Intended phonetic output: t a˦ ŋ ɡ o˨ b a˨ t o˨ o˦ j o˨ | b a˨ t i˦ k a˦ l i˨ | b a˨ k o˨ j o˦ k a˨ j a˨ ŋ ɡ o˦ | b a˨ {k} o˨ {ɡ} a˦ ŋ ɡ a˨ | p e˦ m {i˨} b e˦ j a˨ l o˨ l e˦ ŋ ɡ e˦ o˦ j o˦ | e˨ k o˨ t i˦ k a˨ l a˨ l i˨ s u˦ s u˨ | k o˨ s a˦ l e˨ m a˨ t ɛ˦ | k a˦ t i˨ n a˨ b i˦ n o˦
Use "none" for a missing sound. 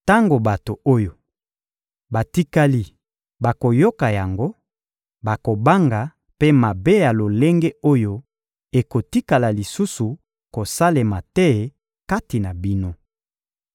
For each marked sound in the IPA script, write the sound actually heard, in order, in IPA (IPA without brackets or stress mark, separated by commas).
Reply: k, b, a˨